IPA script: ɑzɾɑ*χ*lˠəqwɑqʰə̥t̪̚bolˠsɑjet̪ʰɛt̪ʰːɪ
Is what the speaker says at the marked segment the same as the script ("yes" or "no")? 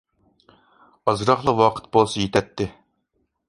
yes